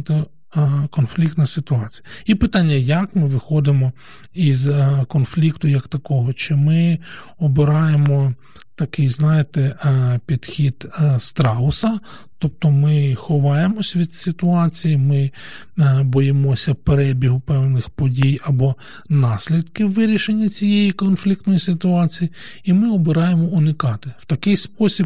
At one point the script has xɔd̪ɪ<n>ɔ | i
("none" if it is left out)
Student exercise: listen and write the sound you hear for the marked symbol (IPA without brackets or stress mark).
m